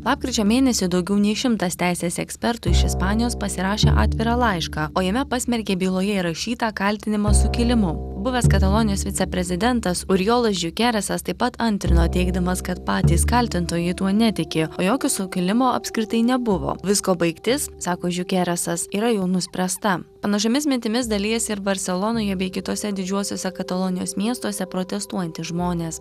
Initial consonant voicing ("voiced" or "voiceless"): voiced